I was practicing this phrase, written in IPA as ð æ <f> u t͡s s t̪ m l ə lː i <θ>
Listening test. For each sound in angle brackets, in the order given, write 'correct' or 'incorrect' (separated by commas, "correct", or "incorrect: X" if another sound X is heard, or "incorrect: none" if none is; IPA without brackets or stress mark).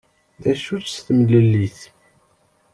incorrect: ʃ, correct